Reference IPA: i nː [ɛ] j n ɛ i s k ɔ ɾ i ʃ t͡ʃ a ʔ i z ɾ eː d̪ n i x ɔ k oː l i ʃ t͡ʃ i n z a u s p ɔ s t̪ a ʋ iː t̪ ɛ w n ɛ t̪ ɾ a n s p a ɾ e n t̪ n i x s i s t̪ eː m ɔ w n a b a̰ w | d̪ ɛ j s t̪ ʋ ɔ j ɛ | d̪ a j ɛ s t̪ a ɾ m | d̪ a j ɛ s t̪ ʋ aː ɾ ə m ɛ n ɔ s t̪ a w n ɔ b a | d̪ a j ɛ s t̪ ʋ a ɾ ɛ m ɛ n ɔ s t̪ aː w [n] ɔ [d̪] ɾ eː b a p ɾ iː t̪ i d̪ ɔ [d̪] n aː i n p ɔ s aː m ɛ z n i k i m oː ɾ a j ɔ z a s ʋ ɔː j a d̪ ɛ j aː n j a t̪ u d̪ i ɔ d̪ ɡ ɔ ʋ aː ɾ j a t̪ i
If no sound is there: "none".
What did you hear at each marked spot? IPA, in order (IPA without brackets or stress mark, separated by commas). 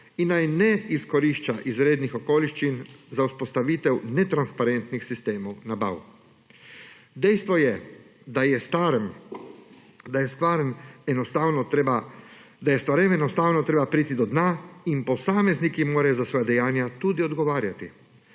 a, n, t̪, d̪